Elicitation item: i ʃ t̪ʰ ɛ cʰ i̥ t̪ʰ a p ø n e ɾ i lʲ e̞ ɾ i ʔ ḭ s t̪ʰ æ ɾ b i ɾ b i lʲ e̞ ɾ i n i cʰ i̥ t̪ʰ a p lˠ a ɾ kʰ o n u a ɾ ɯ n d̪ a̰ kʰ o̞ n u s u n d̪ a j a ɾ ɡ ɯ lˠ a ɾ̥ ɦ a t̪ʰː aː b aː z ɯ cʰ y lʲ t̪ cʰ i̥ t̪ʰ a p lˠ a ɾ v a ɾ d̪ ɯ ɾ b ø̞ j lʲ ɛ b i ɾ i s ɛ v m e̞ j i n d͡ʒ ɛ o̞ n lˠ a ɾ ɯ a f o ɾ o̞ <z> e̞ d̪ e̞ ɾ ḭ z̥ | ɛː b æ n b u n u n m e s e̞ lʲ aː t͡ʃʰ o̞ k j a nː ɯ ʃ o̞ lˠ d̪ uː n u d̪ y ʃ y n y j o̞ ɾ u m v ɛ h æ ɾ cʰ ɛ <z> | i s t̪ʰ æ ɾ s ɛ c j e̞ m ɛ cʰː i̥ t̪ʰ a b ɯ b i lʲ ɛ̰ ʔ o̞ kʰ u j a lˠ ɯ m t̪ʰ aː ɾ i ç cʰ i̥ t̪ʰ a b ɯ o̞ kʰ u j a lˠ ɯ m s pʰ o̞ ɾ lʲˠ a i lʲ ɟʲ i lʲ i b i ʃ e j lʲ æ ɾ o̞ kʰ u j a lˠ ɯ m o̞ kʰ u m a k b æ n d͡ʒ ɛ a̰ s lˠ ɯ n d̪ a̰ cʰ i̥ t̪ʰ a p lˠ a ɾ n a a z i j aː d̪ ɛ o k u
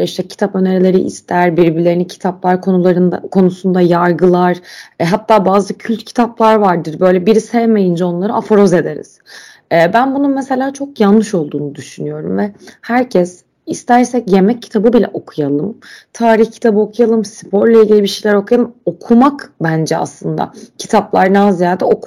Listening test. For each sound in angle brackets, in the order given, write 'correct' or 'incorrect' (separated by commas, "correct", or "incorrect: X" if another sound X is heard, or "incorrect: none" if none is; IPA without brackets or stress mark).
correct, incorrect: s